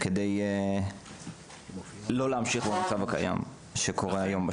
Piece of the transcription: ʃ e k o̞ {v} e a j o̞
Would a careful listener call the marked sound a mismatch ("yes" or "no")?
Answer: yes